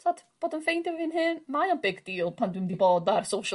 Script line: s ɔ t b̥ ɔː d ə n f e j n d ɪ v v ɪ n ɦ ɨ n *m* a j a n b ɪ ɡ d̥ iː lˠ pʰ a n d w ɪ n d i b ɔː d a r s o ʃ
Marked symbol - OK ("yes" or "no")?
yes